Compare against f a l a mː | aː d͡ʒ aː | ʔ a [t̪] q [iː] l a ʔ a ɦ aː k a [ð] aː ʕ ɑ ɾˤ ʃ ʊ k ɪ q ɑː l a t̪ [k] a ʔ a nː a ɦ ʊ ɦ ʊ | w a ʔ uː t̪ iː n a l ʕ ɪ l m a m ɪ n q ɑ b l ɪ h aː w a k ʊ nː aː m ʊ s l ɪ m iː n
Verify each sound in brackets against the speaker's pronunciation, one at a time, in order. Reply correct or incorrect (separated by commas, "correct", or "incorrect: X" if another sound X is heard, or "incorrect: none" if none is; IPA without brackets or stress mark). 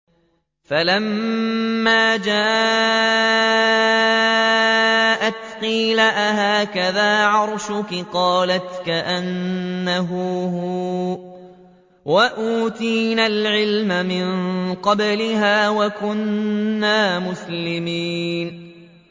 correct, correct, correct, correct